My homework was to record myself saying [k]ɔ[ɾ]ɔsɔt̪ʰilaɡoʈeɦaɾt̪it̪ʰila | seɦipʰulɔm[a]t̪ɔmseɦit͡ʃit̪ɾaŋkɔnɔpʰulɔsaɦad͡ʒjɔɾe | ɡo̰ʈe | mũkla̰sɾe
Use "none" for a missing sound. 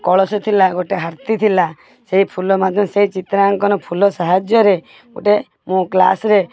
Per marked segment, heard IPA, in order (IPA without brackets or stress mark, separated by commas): k, ɭ, a